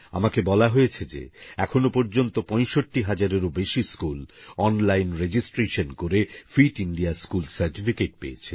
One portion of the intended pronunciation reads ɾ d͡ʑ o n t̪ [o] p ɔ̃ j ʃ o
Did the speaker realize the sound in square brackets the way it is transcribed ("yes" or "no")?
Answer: yes